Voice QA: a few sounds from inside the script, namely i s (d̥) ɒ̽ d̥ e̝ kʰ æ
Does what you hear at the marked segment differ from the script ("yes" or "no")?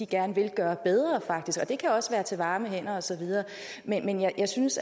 yes